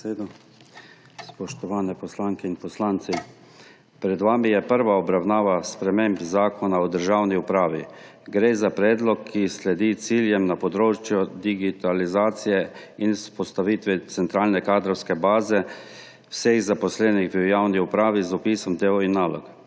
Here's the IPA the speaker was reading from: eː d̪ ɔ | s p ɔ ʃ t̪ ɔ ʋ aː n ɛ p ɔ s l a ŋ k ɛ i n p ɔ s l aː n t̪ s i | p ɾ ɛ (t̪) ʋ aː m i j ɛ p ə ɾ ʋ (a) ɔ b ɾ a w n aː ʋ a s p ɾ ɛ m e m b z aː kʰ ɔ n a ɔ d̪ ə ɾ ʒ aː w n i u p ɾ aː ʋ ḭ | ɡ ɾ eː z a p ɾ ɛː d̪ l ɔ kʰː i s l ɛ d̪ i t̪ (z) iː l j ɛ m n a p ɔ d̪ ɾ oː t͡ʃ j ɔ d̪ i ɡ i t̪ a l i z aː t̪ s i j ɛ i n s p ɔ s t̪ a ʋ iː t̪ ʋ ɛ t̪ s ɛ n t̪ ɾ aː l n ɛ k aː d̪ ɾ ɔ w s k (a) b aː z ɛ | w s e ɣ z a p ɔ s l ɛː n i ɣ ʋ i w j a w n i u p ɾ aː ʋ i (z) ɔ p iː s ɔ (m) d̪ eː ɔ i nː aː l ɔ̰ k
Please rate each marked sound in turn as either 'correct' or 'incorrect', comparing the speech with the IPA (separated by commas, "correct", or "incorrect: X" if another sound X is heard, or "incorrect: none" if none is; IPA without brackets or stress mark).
incorrect: d̪, correct, incorrect: s, incorrect: ɛ, correct, correct